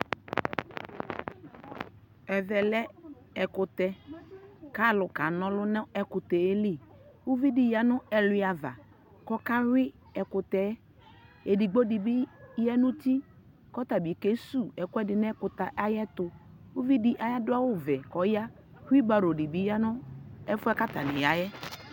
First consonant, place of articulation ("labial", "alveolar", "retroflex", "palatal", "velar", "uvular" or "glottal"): labial